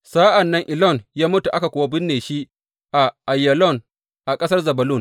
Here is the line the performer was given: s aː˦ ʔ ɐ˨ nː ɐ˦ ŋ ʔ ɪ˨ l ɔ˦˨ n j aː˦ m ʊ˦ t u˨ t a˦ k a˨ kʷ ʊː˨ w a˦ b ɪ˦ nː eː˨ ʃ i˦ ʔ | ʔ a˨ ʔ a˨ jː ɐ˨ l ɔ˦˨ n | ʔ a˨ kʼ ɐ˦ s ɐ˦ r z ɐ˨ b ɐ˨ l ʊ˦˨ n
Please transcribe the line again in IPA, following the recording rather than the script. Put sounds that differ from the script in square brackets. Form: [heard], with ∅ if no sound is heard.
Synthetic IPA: s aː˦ ʔ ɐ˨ nː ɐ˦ ŋ ʔ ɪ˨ l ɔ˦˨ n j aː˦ m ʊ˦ t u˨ [ʔ] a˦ k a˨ kʷ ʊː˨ w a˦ b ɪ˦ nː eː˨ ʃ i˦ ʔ | ʔ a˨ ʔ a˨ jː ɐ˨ l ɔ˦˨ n | ʔ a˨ kʼ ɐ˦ s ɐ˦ r z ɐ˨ b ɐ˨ l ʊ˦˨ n

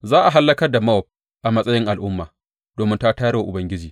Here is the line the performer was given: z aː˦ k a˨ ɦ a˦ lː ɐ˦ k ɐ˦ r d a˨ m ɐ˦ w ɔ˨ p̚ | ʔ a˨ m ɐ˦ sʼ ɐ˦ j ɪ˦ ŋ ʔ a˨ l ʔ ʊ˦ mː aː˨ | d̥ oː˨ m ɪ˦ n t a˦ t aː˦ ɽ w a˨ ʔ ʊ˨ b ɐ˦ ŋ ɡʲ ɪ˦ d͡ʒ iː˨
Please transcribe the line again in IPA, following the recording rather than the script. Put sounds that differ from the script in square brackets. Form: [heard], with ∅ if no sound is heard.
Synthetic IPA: z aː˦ [ʔ] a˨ ɦ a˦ lː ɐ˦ k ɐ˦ r d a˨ m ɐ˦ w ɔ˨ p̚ | ʔ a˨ m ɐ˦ sʼ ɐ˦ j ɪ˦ ŋ ʔ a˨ l ʔ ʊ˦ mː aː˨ | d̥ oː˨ m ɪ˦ n t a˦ t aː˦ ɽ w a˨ ʔ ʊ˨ b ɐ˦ ŋ ɡʲ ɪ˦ d͡ʒ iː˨

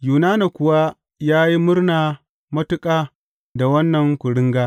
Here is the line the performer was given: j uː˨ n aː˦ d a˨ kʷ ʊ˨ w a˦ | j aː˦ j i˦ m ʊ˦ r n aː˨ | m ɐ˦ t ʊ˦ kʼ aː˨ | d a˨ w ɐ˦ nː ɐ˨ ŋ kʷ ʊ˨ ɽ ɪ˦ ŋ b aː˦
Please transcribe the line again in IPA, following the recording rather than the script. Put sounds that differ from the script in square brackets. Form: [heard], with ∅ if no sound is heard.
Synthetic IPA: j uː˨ n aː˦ [n] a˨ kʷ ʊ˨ w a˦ | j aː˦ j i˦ m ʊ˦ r n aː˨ | m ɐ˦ t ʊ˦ kʼ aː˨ | d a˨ w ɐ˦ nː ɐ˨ ŋ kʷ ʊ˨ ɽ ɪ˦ ŋ [ɡ] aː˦

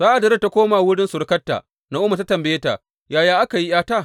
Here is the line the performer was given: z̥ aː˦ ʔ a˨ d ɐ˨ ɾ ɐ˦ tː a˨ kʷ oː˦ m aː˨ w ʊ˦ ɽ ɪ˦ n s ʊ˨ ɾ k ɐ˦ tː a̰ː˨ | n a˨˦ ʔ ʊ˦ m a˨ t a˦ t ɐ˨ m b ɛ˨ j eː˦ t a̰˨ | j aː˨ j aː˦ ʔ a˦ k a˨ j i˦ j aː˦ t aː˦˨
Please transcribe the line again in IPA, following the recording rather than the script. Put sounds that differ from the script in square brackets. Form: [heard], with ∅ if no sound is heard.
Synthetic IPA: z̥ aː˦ ʔ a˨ d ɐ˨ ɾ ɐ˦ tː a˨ kʷ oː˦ m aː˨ w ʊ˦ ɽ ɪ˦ n s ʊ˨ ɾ k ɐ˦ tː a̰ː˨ | n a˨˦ ʔ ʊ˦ m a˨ t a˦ t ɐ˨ m b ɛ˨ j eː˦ t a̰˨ | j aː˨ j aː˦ ʔ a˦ k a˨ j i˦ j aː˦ t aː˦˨

